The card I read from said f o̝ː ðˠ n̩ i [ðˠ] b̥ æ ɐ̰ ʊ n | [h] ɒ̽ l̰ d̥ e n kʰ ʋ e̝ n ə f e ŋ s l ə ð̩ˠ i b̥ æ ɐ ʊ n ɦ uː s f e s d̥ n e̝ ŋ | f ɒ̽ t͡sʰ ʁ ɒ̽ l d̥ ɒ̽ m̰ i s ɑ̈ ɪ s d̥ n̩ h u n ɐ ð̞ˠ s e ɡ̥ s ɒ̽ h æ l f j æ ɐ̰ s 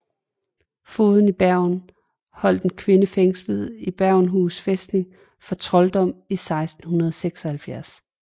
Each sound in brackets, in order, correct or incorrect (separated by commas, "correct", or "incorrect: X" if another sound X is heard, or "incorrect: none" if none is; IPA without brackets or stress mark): incorrect: none, correct